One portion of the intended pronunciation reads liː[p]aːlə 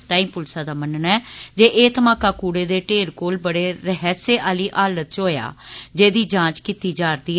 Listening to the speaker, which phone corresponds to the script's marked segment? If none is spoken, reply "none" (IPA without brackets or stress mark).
ʔ